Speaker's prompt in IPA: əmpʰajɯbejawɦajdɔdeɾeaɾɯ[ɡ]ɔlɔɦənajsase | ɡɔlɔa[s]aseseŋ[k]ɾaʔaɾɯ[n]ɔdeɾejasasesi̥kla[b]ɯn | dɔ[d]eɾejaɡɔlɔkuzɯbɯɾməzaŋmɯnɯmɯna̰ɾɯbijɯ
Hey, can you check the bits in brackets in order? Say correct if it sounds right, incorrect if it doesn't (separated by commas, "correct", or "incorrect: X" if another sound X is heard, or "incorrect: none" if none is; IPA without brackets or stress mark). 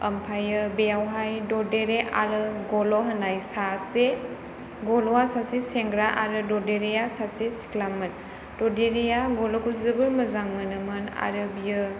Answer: correct, correct, incorrect: ɡ, incorrect: d, incorrect: m, correct